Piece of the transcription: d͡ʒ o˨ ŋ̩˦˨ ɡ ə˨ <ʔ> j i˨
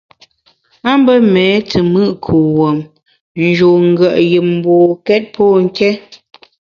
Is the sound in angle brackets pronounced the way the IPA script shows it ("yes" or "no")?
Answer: yes